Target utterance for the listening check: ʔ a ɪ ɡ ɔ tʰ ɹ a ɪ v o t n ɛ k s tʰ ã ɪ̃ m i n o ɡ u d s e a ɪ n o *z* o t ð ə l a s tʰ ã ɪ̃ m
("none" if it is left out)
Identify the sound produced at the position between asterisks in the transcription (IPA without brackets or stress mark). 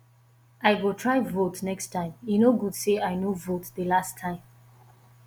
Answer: v